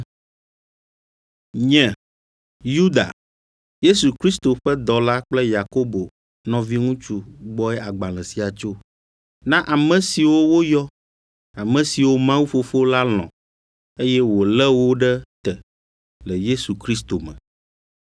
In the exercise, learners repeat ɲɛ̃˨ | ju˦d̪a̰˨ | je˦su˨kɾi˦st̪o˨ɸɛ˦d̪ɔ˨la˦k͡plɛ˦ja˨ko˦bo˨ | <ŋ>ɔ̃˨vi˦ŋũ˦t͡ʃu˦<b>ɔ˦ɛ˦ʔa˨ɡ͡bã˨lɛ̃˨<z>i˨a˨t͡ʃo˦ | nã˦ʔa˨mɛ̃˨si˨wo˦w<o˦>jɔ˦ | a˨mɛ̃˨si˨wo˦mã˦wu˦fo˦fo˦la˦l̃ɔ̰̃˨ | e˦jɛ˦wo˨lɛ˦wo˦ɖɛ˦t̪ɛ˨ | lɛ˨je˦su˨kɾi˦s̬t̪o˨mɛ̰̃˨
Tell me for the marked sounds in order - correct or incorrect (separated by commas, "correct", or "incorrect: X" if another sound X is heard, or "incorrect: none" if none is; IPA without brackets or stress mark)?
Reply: incorrect: n, incorrect: ɡ͡b, incorrect: s, correct